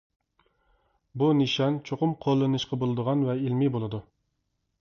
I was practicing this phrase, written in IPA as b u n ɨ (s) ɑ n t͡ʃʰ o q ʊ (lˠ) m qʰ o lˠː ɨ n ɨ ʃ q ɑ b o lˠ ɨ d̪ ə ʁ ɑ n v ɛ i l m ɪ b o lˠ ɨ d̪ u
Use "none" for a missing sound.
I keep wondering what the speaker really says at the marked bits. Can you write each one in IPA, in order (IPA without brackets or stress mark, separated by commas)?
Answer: ʃ, none